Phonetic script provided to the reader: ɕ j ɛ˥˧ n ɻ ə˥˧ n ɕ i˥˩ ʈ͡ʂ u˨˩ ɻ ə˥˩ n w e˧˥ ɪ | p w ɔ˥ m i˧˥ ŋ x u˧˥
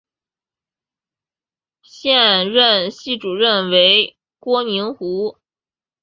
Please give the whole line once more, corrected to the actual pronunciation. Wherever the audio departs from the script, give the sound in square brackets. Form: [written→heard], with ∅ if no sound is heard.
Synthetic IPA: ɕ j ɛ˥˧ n ɻ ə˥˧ n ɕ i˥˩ ʈ͡ʂ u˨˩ ɻ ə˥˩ n w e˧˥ ɪ | [p→k] w ɔ˥ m i˧˥ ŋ x u˧˥

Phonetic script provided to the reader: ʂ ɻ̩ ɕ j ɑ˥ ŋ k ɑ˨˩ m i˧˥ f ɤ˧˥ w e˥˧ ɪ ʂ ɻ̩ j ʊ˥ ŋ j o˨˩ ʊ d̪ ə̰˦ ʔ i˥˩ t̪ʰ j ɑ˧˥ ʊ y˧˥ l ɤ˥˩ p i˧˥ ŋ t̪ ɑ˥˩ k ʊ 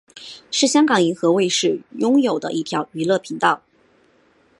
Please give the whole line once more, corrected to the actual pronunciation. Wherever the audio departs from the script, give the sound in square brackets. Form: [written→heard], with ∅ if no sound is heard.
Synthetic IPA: ʂ ɻ̩ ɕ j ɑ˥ ŋ k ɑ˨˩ [m→ŋ] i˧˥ [f→x] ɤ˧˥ w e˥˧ ɪ ʂ ɻ̩ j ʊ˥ ŋ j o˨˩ ʊ d̪ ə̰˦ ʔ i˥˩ t̪ʰ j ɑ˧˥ ʊ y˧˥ l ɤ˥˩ [p→pʰ] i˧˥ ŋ t̪ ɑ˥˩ [k→∅] ʊ

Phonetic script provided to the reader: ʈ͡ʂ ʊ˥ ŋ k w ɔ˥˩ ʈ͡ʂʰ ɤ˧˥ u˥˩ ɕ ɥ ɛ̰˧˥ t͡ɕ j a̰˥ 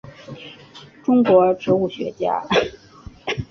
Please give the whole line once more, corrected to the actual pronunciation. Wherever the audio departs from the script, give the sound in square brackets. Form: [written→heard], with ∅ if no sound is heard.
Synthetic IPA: ʈ͡ʂ ʊ˥ ŋ k w [ɔ˥˩→ɔ˧˥] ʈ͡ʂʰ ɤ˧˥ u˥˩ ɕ ɥ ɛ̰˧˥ t͡ɕ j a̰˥

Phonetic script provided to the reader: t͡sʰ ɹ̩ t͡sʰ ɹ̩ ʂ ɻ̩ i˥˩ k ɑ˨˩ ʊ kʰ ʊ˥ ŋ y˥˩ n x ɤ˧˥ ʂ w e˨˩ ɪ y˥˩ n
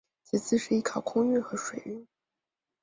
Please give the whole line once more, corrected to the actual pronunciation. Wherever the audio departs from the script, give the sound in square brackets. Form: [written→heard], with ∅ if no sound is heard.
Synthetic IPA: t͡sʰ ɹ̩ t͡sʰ ɹ̩ ʂ ɻ̩ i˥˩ [k→kʰ] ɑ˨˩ ʊ kʰ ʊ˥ ŋ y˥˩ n x ɤ˧˥ ʂ w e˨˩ ɪ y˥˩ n

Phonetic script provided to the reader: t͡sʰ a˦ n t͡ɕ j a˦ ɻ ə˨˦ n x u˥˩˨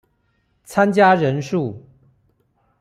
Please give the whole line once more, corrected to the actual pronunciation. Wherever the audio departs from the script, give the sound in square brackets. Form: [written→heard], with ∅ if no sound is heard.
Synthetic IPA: t͡sʰ a˦ n t͡ɕ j a˦ ɻ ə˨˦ n [x→ʂ] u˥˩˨

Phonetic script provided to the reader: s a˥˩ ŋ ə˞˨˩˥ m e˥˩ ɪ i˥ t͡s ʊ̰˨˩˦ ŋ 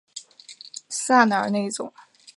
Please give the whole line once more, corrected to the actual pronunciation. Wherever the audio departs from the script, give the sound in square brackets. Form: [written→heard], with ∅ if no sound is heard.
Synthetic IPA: s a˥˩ [ŋ→n] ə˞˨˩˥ [m→n] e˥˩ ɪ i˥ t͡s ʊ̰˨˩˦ ŋ

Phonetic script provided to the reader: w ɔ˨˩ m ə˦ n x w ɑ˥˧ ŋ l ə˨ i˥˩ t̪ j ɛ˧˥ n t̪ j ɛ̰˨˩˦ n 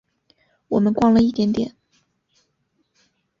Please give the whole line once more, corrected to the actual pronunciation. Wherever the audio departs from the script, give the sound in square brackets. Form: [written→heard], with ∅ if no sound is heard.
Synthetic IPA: w ɔ˨˩ m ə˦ n [x→k] w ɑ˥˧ ŋ l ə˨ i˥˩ t̪ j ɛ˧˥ n t̪ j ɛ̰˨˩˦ n

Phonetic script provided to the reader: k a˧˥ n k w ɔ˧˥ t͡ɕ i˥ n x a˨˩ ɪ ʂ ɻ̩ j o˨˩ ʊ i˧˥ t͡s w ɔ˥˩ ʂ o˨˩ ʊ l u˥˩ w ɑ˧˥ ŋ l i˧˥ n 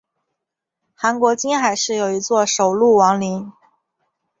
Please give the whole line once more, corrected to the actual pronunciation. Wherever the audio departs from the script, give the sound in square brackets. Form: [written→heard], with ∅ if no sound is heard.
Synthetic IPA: [k→x] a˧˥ n k w ɔ˧˥ t͡ɕ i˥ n x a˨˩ ɪ ʂ ɻ̩ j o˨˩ ʊ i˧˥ t͡s w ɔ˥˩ ʂ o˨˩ ʊ l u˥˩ w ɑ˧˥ ŋ l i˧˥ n

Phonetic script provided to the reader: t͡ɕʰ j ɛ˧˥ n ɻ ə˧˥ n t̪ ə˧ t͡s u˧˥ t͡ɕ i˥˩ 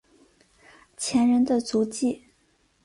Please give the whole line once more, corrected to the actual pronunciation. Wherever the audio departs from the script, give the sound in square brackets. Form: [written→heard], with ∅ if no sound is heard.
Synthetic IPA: t͡ɕʰ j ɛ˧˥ n ɻ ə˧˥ n [t̪→d̪] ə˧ t͡s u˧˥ t͡ɕ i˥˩

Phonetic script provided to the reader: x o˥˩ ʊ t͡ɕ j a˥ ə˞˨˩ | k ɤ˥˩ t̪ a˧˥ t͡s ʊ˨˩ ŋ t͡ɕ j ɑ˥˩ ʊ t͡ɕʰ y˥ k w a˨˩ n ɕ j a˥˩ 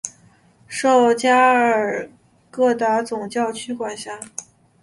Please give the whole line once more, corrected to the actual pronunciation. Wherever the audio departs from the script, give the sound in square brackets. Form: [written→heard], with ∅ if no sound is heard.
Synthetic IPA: [x→ʂ] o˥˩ ʊ t͡ɕ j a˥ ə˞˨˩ | k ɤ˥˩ t̪ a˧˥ t͡s ʊ˨˩ ŋ t͡ɕ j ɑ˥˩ ʊ t͡ɕʰ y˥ k w a˨˩ n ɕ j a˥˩

